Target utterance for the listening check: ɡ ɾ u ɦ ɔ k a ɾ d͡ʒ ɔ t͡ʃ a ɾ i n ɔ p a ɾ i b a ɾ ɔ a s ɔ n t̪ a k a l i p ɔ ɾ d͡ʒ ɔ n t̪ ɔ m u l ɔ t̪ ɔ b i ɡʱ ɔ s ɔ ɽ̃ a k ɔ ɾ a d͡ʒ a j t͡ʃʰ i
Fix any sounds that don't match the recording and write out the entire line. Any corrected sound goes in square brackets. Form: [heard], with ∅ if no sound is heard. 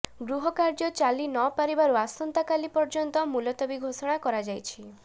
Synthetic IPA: ɡ ɾ u ɦ ɔ k a ɾ d͡ʒ ɔ t͡ʃ a [l] i n ɔ p a ɾ i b a ɾ [u] a s ɔ n t̪ a k a l i p ɔ ɾ d͡ʒ ɔ n t̪ ɔ m u l ɔ t̪ ɔ b i ɡʱ [o] s ɔ ɽ̃ a k ɔ ɾ a d͡ʒ a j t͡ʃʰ i